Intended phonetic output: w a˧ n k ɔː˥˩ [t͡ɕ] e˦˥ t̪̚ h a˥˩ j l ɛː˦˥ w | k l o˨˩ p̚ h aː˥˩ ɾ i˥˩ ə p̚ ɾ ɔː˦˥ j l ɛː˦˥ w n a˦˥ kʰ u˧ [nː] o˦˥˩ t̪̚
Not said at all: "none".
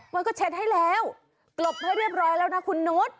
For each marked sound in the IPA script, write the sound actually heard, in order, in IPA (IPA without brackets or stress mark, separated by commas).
t͡ɕʰ, nː